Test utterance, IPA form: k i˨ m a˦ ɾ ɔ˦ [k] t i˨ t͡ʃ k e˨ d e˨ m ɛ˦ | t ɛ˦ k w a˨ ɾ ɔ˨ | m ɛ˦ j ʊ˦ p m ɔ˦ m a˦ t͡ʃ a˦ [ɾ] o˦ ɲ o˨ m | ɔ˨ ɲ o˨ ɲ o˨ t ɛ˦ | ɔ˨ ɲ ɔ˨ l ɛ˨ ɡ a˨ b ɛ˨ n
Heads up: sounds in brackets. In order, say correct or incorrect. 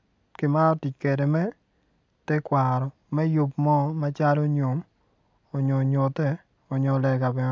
incorrect: none, incorrect: l

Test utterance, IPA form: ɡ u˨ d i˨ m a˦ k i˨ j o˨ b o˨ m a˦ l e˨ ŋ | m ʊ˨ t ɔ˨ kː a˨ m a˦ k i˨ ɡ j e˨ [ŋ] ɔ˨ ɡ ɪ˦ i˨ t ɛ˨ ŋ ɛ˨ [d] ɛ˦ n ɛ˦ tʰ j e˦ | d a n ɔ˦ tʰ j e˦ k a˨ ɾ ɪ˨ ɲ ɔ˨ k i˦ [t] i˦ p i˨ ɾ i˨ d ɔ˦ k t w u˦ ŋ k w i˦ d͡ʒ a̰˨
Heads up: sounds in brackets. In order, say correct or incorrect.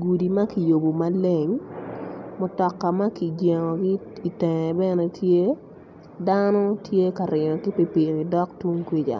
correct, incorrect: b, incorrect: p

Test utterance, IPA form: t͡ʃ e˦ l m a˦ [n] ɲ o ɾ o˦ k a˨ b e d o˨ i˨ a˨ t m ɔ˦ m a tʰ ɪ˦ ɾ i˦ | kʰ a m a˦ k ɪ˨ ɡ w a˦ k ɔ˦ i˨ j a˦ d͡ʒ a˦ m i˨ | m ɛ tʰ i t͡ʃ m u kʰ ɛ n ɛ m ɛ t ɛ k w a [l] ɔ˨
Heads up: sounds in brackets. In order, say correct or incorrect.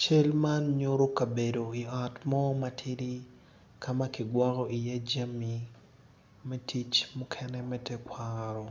correct, incorrect: ɾ

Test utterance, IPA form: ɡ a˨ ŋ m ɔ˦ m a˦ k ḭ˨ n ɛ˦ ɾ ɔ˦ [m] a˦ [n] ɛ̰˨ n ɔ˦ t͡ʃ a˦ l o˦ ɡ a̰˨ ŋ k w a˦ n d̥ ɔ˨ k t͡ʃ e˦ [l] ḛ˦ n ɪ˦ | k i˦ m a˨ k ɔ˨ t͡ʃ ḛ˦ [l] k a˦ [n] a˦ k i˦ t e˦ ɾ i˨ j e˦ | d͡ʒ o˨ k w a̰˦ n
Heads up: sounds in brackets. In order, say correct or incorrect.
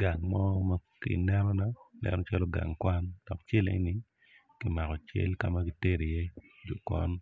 incorrect: n, correct, correct, correct, incorrect: m

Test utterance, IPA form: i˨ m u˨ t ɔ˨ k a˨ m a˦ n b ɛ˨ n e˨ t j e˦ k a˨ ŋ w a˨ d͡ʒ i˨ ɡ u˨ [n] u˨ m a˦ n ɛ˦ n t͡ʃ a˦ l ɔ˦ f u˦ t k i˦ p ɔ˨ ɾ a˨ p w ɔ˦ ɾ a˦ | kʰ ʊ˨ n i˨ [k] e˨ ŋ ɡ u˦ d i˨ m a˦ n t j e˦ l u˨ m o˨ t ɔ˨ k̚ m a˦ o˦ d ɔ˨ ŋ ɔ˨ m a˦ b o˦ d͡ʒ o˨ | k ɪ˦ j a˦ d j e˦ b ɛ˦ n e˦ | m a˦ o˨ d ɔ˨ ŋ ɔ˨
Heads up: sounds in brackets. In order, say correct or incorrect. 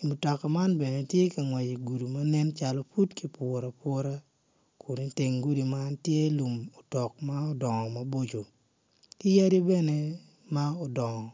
incorrect: d, incorrect: t

